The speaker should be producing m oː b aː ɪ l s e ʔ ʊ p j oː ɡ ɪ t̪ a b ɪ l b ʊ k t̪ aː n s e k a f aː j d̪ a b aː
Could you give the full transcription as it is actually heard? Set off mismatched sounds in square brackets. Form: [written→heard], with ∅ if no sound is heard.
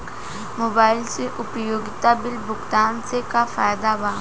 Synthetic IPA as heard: m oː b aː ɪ l s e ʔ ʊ p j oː ɡ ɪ t̪ a b ɪ l b ʊ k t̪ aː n s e k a f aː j d̪ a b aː